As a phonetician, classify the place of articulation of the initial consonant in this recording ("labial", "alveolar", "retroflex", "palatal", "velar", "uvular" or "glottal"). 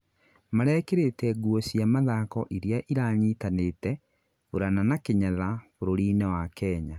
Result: labial